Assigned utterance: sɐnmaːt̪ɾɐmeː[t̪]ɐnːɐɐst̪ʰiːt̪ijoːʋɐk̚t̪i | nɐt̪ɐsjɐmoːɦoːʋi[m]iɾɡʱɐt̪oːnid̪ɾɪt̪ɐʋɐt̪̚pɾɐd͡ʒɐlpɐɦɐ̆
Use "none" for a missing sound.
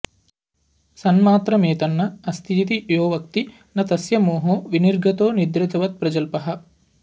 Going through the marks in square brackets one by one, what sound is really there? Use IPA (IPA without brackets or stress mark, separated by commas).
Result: t̪, n